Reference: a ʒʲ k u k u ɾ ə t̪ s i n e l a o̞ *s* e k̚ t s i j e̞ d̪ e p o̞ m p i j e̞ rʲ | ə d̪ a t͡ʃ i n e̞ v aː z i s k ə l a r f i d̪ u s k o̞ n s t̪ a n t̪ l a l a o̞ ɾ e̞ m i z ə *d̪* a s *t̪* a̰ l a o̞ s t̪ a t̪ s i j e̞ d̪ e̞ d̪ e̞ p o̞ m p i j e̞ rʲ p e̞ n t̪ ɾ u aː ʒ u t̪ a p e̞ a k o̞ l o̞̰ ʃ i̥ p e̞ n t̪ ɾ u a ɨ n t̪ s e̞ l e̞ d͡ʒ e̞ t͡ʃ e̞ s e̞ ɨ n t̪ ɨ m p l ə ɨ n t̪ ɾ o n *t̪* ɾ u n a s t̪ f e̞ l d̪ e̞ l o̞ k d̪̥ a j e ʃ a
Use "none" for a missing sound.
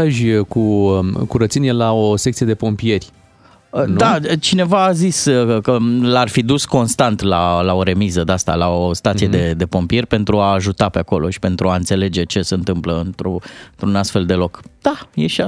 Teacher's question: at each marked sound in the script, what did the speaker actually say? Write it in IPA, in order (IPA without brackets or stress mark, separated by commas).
s, d̪, t̪, t̪